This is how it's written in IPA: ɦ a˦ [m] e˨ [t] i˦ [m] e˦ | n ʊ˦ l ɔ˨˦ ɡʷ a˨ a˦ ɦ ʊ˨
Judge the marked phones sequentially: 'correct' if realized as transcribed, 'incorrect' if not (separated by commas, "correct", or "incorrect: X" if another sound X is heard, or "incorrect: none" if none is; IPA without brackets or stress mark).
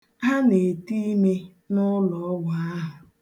incorrect: n, correct, correct